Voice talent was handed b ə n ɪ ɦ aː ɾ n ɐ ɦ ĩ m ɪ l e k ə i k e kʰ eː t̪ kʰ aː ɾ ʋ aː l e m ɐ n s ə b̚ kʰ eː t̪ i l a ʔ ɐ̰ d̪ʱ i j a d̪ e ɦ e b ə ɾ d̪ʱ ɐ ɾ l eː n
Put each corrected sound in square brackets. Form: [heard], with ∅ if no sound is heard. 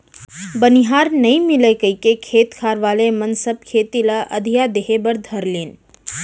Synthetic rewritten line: b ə n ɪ ɦ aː ɾ n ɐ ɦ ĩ m ɪ l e k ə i k e kʰ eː t̪ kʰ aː ɾ ʋ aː l e m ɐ n s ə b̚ kʰ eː t̪ i l a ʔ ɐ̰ d̪ʱ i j a d̪ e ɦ e b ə ɾ d̪ʱ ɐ ɾ l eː n